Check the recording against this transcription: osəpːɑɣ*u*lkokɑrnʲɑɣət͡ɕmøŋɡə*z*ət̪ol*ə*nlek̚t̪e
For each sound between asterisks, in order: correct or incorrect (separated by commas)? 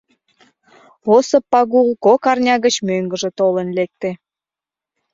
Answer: correct, incorrect, correct